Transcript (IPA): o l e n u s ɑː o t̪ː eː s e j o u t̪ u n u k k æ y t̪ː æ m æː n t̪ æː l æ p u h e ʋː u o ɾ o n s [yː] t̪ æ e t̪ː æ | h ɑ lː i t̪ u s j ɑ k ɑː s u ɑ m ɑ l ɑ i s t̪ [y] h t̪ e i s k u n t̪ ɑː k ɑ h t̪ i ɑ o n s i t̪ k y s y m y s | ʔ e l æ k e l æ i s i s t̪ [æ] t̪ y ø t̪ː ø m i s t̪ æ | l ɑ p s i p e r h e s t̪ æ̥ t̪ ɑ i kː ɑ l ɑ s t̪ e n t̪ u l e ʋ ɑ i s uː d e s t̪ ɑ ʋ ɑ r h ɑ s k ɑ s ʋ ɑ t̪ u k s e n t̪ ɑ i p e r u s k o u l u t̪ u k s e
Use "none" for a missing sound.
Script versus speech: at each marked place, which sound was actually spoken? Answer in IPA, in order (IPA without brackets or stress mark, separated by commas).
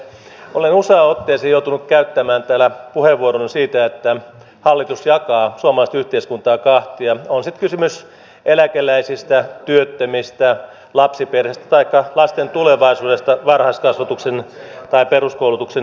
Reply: iː, y, æ